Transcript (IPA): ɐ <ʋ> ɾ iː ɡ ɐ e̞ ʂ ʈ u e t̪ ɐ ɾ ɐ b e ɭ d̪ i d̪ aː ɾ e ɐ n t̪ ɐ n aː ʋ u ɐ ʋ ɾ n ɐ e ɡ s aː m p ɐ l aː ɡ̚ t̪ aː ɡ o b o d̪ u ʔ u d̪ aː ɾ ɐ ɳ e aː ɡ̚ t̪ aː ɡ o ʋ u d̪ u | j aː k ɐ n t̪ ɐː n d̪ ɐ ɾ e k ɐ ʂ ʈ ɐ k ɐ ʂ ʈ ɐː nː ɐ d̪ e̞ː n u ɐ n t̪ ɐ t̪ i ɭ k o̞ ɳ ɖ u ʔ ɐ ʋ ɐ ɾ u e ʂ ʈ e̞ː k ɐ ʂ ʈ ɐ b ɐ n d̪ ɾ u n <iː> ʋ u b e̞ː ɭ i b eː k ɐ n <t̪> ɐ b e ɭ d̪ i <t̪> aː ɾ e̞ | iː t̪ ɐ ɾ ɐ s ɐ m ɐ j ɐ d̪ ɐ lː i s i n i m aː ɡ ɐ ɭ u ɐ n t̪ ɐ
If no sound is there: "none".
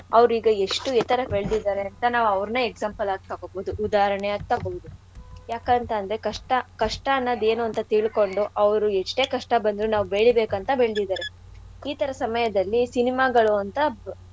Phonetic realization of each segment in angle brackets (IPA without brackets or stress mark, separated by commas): ʋ, aː, t̪, d̪